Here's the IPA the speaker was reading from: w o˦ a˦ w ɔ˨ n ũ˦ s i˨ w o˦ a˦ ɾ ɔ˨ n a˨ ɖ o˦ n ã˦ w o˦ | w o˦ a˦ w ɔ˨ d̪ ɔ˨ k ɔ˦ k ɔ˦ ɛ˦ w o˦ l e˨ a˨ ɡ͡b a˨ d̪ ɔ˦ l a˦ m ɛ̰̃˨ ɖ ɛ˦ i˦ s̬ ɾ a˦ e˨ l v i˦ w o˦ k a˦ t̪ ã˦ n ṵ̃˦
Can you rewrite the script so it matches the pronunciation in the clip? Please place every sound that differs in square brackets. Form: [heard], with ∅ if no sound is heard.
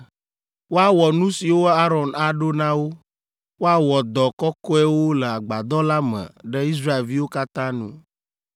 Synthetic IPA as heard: w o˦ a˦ w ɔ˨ n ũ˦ s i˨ w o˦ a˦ ɾ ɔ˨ n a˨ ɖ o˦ n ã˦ w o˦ | w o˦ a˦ w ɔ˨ d̪ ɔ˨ k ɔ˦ k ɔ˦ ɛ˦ w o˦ l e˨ a˨ ɡ͡b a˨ d̪ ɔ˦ l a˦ m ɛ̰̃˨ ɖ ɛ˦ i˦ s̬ ɾ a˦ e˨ l v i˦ w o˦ k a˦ t̪ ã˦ n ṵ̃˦

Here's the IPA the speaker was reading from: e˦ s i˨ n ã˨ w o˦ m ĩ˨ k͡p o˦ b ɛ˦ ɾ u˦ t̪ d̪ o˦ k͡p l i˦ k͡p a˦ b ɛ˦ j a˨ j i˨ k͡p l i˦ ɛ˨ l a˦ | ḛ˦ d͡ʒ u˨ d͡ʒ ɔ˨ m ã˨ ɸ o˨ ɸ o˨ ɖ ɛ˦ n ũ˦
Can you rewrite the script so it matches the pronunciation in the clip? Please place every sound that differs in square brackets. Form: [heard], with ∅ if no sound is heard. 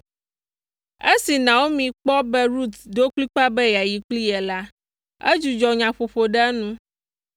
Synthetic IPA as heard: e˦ s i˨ n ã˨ w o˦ m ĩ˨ k͡p [ɔ˦] b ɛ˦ ɾ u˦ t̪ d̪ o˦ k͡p l i˦ k͡p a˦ b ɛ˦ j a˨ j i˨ k͡p l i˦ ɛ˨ l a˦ | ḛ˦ d͡ʒ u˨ d͡ʒ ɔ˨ [ɲ] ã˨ ɸ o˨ ɸ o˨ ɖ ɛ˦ n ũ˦

